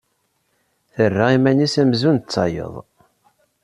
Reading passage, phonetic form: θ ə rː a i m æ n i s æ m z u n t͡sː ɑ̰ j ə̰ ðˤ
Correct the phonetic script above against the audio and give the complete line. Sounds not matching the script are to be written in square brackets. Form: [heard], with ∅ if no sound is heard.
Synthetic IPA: θ ə rː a i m æ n i s æ m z u n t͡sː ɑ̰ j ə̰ ðˤ